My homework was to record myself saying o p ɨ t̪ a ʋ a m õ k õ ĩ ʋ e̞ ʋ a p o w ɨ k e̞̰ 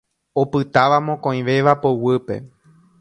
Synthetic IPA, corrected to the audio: o p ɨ t̪ a ʋ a m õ k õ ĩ ʋ e̞ ʋ a p o w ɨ p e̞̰